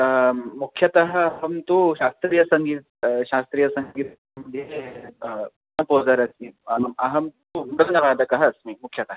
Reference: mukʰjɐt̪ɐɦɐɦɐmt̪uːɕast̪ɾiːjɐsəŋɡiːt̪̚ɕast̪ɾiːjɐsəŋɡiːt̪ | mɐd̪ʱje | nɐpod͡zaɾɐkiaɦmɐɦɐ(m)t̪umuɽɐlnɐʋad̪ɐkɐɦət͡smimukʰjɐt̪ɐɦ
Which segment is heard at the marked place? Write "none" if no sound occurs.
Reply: m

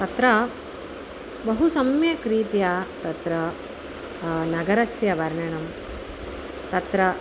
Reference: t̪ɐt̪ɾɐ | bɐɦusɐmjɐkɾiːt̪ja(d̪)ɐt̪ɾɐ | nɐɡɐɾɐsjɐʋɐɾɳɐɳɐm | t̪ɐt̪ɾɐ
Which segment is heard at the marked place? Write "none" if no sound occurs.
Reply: t̪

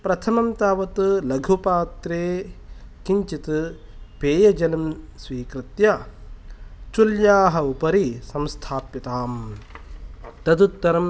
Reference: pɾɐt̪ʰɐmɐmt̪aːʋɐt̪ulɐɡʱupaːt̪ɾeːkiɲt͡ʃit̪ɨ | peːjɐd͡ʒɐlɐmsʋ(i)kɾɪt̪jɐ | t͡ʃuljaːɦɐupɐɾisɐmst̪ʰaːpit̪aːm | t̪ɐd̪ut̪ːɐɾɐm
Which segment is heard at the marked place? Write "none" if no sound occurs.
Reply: iː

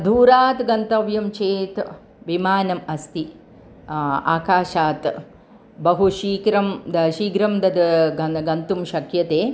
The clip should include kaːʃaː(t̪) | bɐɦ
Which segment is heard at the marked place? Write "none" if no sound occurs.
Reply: t̪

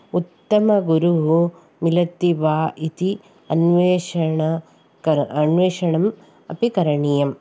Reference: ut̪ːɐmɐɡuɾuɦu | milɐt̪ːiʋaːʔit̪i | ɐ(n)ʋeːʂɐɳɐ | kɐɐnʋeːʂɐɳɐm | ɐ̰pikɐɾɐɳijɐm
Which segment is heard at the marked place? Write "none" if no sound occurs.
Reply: n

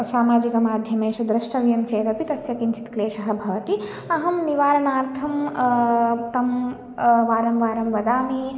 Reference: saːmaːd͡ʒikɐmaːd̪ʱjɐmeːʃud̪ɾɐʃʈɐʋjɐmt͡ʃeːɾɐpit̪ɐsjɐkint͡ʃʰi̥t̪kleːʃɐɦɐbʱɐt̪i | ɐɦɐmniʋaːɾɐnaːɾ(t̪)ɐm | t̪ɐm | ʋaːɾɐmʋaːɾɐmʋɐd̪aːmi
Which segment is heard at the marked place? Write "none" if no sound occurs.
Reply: t̪ʰ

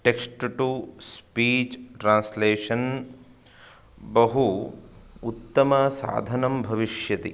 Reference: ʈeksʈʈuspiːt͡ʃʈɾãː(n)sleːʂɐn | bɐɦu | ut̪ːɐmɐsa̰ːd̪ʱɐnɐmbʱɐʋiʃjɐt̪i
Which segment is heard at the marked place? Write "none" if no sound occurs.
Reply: n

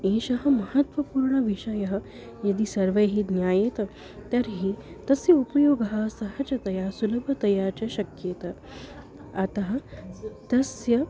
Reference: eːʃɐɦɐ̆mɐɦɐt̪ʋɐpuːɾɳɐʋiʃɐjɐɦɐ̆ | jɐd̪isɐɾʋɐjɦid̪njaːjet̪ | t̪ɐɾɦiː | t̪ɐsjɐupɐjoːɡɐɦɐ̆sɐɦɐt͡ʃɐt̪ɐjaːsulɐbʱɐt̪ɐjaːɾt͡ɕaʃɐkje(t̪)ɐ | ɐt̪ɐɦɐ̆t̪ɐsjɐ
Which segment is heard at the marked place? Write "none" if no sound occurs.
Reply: t̪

